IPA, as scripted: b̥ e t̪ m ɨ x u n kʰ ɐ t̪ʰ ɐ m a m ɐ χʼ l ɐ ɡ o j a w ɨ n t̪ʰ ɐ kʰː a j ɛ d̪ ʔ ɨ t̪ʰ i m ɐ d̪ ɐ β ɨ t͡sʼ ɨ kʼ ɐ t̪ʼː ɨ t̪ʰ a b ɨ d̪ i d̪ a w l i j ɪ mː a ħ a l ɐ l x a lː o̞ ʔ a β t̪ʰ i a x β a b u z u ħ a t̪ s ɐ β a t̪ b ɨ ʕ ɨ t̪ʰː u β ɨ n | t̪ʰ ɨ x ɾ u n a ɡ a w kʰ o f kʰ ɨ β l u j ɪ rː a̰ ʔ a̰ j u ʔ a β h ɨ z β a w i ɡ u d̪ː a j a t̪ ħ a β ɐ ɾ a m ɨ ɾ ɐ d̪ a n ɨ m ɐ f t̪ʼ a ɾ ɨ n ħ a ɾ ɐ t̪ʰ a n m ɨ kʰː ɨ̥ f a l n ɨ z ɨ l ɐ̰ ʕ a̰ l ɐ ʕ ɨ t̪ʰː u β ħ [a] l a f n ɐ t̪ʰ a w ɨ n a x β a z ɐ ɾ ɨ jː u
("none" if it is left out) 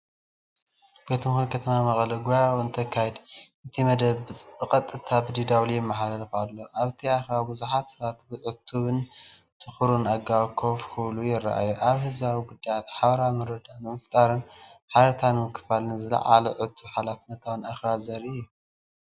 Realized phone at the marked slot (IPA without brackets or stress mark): a